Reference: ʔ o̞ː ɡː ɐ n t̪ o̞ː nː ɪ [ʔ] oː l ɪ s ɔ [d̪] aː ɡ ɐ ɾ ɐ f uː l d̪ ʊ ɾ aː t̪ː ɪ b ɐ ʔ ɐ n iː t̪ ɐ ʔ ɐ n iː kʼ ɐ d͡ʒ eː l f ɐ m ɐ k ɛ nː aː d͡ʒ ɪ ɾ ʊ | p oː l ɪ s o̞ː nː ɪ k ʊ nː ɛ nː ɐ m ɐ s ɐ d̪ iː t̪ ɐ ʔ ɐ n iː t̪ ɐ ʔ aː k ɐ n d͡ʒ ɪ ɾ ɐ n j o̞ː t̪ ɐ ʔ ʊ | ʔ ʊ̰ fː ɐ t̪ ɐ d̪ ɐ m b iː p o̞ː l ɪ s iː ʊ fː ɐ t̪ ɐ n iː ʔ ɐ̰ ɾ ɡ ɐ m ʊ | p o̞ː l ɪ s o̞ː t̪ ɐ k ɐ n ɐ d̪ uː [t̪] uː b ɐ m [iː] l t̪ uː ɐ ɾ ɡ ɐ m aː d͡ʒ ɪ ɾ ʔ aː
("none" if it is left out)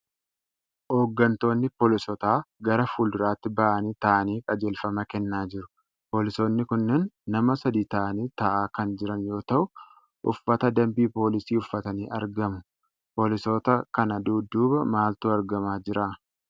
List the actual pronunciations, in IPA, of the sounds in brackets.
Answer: p, t̪, d̪, aː

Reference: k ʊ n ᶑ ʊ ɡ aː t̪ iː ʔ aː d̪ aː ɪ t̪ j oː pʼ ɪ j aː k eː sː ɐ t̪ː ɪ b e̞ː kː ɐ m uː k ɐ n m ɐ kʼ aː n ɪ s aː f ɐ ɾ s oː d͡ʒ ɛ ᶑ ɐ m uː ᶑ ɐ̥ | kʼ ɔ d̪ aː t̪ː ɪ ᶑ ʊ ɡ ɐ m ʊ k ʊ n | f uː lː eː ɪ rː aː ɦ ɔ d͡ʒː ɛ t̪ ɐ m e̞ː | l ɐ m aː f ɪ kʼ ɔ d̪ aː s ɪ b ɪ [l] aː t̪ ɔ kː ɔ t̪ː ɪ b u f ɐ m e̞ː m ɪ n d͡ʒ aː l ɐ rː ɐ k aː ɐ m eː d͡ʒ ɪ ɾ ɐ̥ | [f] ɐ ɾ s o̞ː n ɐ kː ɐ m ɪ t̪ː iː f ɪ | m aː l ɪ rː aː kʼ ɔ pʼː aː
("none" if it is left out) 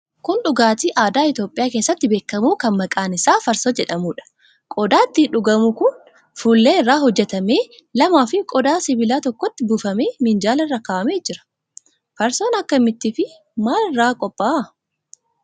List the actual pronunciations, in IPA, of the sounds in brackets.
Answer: l, f

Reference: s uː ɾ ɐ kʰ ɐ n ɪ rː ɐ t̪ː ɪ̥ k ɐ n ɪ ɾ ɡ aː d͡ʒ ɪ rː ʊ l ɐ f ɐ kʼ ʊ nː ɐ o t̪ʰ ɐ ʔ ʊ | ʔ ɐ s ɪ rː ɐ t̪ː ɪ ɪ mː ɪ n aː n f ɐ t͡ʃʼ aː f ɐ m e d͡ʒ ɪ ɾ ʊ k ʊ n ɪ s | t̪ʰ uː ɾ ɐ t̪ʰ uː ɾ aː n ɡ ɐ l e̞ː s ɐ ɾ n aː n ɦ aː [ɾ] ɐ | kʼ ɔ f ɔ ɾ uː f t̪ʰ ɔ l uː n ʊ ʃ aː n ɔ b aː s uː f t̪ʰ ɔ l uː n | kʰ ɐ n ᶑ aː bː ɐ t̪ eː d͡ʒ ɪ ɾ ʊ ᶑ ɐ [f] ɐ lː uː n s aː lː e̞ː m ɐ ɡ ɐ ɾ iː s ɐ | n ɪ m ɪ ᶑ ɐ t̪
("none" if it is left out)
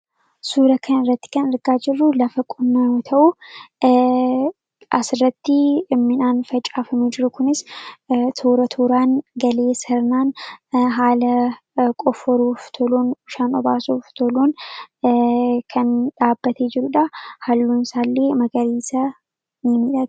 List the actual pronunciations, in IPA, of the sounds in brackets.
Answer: l, h

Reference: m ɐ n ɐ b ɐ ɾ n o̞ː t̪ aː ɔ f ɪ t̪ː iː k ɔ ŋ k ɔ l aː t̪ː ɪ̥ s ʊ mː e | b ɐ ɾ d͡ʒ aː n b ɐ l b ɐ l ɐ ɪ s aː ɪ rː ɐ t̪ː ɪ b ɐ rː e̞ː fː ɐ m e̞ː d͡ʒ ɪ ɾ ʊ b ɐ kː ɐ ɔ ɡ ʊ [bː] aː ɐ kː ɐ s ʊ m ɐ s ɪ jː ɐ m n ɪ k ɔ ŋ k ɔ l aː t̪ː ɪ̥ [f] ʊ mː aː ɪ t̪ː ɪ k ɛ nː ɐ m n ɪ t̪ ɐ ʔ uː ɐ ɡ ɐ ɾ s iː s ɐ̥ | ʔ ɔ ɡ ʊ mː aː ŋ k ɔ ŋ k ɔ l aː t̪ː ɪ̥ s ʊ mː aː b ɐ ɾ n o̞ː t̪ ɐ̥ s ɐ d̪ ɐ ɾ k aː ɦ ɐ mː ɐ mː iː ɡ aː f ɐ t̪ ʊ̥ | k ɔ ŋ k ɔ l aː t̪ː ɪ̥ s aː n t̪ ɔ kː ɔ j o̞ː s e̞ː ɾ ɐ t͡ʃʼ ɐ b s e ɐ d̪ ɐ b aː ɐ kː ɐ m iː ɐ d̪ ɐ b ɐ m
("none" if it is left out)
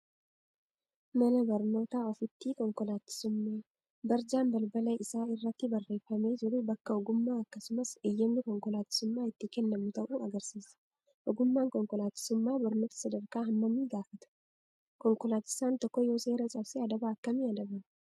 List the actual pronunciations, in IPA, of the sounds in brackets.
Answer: mː, s

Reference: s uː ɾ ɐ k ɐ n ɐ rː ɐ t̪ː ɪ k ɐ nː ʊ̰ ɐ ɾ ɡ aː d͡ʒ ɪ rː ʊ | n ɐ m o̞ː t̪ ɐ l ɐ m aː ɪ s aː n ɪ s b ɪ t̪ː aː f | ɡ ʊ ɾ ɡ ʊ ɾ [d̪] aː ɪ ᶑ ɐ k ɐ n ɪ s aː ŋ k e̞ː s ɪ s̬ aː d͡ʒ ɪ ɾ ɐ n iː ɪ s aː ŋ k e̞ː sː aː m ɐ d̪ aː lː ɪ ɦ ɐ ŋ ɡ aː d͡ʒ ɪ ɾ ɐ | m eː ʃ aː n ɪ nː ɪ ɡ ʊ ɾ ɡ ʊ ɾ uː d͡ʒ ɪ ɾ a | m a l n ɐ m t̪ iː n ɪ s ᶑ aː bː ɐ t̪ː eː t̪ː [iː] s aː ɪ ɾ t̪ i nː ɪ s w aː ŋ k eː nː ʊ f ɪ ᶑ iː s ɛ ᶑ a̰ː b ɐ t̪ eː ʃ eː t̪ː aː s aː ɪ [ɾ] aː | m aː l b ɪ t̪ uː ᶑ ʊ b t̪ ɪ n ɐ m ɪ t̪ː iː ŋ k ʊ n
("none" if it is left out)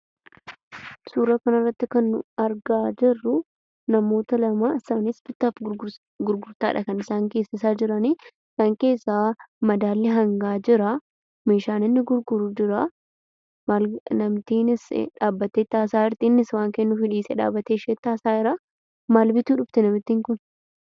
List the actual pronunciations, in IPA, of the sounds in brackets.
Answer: t̪, aː, ɾ

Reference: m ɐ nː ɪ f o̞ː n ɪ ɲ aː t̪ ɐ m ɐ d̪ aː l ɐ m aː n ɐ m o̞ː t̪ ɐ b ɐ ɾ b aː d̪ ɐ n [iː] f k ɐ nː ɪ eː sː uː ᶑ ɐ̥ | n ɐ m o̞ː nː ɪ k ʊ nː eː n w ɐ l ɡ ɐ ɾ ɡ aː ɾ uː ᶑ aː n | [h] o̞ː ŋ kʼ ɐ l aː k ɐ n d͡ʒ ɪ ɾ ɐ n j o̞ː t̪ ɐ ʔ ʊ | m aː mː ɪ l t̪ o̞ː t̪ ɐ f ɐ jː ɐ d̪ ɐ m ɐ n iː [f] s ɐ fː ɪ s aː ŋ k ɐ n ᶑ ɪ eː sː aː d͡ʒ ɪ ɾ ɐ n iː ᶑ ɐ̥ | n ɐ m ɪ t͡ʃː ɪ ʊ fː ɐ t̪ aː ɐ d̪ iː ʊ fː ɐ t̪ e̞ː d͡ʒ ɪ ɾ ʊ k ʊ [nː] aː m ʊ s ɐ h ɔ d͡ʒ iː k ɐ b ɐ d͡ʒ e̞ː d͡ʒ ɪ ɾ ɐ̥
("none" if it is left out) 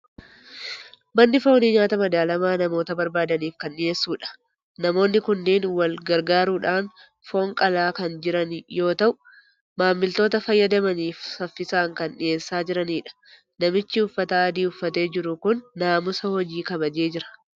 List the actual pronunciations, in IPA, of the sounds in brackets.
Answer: iː, f, f, nː

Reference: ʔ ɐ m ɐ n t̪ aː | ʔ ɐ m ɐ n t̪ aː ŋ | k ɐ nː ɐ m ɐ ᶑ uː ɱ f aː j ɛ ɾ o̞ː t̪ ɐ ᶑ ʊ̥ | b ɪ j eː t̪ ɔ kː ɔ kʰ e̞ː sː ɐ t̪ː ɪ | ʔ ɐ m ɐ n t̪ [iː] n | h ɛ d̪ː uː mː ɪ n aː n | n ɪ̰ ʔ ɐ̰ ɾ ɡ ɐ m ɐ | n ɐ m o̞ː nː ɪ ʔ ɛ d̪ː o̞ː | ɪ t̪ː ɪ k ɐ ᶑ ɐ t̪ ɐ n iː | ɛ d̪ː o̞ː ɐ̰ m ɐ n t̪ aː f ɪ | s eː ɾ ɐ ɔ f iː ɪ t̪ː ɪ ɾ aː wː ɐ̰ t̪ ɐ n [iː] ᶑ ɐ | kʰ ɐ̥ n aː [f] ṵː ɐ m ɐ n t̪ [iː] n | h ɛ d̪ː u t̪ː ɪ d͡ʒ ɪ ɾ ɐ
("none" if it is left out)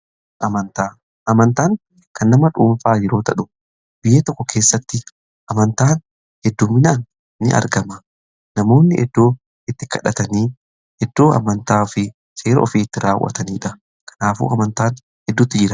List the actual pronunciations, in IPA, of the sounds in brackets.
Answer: aː, iː, f, aː

